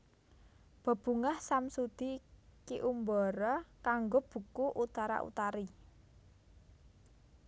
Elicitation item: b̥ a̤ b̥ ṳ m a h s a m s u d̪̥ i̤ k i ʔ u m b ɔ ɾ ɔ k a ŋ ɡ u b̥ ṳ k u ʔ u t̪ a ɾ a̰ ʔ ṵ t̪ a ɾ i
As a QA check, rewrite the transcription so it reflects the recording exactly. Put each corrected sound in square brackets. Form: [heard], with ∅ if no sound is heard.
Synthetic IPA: b̥ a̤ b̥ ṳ [ŋ] a h s a m s u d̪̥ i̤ k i ʔ u m b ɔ ɾ ɔ k a ŋ ɡ [o] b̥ ṳ k u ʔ u t̪ a ɾ a̰ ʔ ṵ t̪ a ɾ i